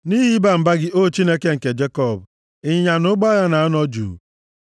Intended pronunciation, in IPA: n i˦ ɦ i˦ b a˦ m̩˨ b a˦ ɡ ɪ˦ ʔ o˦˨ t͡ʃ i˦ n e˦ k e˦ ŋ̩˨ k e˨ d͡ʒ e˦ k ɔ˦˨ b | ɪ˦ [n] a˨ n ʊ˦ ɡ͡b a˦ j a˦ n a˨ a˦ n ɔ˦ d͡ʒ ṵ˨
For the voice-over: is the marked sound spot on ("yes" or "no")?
no